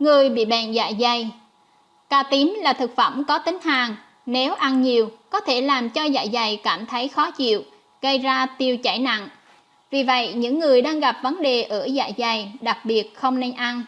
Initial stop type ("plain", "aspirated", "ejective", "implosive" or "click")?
implosive